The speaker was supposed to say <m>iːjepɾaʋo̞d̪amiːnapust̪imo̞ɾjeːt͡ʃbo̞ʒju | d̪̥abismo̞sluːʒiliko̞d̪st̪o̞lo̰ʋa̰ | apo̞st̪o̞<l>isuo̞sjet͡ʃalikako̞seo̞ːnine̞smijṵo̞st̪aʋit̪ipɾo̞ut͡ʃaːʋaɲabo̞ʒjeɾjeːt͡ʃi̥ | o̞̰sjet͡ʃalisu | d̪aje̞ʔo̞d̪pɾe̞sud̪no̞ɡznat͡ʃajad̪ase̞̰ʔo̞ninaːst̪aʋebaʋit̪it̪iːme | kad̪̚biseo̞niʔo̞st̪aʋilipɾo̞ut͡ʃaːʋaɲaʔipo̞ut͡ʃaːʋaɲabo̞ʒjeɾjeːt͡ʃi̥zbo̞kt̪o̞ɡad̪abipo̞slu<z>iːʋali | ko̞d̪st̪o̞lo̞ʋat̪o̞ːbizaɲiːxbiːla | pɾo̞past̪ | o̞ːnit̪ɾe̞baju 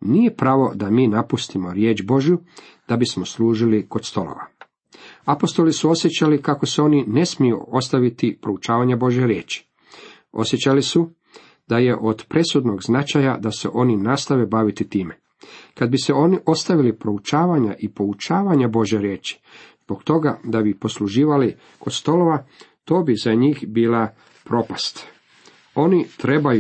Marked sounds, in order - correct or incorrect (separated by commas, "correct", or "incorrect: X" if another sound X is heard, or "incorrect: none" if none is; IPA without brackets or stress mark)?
incorrect: n, correct, incorrect: ʒ